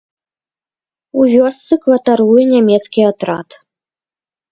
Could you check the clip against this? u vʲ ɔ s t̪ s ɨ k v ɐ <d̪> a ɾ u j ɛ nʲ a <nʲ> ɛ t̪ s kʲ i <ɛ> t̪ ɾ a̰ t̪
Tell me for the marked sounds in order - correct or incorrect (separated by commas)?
incorrect, incorrect, incorrect